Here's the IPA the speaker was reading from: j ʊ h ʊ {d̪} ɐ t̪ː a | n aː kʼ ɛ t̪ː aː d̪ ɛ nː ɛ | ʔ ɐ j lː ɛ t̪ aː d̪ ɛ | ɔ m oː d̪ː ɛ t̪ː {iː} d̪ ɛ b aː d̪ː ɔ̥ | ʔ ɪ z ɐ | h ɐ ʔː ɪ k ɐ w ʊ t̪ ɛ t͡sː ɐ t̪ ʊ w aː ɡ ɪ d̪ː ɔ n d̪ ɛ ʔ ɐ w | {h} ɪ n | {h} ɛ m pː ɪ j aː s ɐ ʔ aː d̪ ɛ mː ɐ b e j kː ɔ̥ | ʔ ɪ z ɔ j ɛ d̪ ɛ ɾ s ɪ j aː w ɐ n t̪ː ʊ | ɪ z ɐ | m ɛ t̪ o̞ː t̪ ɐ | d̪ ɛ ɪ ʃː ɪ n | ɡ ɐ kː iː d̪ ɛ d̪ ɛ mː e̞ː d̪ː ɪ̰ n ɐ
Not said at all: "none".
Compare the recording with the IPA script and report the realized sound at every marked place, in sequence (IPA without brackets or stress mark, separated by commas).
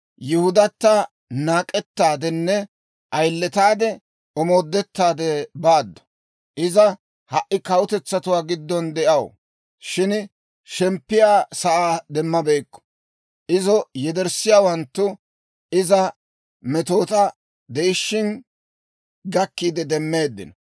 d̪, aː, ʃ, ʃ